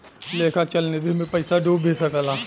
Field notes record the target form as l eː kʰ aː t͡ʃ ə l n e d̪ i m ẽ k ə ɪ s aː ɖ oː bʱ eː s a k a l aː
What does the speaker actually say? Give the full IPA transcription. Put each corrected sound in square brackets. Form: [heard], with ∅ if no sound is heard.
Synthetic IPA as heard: l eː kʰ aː t͡ʃ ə l n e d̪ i m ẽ [p] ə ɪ s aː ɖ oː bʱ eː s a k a l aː